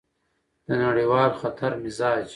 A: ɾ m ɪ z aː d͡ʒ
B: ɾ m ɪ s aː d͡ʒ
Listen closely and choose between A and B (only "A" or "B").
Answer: A